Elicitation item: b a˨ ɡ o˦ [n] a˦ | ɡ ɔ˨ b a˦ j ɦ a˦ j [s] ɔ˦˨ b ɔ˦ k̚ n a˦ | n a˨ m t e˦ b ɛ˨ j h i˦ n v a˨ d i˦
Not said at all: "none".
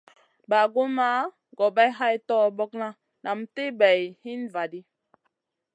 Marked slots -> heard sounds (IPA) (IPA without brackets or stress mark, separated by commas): m, t